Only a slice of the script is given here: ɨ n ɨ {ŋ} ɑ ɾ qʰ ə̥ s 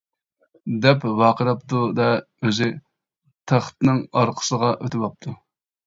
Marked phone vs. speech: correct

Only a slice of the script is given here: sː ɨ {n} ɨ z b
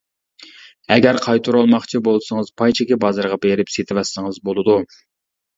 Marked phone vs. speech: incorrect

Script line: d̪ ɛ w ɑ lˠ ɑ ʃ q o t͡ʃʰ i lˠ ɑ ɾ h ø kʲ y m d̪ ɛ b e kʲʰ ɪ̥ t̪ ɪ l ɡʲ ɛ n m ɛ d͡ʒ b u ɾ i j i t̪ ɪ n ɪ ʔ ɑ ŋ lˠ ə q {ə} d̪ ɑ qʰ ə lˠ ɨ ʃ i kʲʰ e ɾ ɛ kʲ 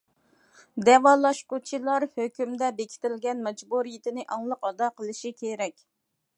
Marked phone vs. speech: incorrect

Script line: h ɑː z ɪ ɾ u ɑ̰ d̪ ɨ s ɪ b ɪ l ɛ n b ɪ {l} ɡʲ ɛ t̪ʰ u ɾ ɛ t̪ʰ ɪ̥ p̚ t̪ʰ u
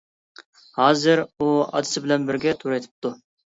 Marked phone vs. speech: incorrect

